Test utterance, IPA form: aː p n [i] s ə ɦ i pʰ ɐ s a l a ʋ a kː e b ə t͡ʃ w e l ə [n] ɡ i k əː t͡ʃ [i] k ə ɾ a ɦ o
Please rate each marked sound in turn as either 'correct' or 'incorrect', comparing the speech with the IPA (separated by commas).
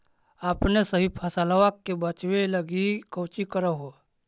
incorrect, incorrect, correct